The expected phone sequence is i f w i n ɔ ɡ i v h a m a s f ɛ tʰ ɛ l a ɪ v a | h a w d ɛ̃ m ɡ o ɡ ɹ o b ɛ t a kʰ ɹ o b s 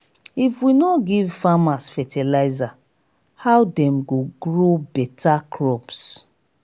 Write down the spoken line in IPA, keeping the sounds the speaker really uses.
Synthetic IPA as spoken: i f w i n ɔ ɡ i v f a m a s f ɛ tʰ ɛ l a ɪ z a | h a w d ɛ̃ m ɡ o ɡ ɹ o b ɛ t a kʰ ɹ ɔ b s